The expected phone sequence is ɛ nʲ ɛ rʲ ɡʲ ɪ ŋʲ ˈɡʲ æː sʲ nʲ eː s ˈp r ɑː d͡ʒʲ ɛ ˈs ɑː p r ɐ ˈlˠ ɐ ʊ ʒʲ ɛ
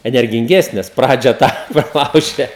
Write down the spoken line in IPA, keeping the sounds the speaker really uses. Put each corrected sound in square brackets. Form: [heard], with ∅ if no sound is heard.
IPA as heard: ɛ nʲ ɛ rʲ ɡʲ ɪ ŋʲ ˈɡʲ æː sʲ nʲ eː s ˈp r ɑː d͡ʒʲ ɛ [ˈt] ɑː p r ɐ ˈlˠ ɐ ʊ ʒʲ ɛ